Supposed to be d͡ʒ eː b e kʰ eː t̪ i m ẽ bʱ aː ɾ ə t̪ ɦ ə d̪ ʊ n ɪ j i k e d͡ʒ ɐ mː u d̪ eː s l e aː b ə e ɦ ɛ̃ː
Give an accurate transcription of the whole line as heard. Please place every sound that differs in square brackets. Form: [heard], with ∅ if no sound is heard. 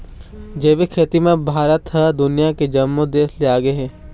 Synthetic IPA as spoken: d͡ʒ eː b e kʰ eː t̪ i m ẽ bʱ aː ɾ ə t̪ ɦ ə d̪ ʊ n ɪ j [a] k e d͡ʒ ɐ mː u d̪ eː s l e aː [ɡ] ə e ɦ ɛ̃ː